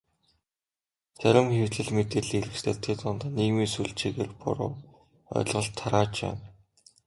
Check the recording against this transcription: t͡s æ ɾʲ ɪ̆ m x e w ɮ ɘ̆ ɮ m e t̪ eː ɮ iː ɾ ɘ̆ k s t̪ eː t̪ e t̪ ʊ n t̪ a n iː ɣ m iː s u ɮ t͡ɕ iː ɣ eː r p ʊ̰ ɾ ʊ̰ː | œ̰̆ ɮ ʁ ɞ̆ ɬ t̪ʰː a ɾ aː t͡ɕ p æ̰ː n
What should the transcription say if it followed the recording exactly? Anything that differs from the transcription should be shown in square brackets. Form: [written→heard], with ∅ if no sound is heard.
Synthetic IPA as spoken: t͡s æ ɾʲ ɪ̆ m x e w ɮ ɘ̆ ɮ m e t̪ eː ɮ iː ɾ ɘ̆ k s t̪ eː [t̪→t̪ʰ] e t̪ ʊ n t̪ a n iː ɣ m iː s u ɮ t͡ɕ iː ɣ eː r p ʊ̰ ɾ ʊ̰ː | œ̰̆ ɮ ʁ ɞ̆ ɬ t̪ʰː a ɾ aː t͡ɕ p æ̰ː n